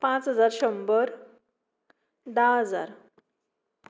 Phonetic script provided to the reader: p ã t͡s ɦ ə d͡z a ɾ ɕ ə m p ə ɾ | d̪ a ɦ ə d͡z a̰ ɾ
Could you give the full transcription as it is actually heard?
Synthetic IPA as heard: p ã t͡s ɦ ə d͡z a ɾ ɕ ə m b ə ɾ | d̪ a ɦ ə d͡z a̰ ɾ